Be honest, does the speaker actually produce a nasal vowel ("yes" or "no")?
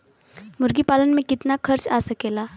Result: yes